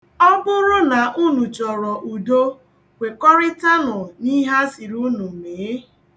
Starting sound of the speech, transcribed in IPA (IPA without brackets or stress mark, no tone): ɔ